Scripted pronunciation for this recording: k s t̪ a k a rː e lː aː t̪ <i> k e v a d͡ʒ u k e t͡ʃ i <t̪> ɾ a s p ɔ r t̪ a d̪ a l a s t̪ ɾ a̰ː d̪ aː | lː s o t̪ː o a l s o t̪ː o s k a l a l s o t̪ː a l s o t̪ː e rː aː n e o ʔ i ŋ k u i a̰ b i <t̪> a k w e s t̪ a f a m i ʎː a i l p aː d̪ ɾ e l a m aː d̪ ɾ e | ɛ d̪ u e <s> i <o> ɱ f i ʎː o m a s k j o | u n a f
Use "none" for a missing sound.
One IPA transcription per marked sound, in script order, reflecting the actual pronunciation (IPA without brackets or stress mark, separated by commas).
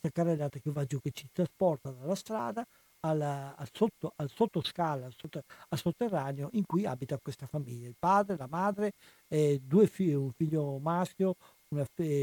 a, t̪, t̪, f, u